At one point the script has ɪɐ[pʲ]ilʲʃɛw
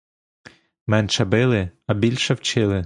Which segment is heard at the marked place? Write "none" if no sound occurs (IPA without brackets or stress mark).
bʲ